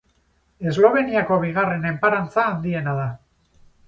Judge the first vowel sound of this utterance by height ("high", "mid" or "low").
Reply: mid